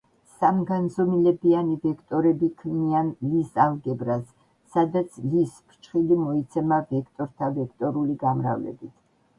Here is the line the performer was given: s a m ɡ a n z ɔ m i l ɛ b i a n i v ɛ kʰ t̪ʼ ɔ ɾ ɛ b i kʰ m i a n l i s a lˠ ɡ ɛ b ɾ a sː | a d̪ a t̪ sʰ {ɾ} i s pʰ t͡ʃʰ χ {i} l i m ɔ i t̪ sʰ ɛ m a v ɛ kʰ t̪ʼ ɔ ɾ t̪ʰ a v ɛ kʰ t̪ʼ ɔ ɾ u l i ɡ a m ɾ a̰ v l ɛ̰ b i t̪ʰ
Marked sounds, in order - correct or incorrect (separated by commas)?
incorrect, correct